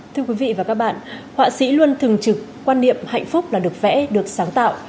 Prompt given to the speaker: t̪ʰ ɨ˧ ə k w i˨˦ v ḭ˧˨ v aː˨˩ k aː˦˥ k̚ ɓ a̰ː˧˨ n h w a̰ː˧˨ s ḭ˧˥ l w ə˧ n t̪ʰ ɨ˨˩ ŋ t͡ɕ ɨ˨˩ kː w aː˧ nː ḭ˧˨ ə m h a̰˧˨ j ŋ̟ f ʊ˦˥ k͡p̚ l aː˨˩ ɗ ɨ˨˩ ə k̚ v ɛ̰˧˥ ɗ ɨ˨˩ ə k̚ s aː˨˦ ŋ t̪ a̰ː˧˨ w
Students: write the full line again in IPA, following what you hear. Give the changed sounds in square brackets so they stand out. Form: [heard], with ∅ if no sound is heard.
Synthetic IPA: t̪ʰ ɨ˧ ə k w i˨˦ v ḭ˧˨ v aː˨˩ k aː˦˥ k̚ ɓ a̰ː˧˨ n h w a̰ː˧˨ s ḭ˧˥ l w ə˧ n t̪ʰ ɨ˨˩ ŋ t͡ɕ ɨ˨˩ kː w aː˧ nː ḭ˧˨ ə m h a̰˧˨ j ŋ̟ f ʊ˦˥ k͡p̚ l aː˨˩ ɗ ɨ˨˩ ə k̚ v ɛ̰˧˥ ɗ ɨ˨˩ ə k̚ s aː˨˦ ŋ t̪ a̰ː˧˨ w